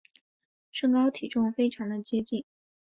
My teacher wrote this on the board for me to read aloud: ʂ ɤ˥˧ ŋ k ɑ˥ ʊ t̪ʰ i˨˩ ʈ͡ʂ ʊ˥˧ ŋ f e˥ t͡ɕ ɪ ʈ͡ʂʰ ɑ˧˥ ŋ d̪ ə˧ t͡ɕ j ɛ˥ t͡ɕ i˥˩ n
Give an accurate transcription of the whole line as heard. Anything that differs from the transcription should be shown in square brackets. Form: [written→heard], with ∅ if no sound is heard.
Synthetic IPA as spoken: ʂ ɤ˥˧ ŋ k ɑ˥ ʊ t̪ʰ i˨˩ ʈ͡ʂ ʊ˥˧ ŋ f e˥ [t͡ɕ→∅] ɪ ʈ͡ʂʰ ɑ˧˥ ŋ d̪ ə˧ t͡ɕ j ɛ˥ t͡ɕ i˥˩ n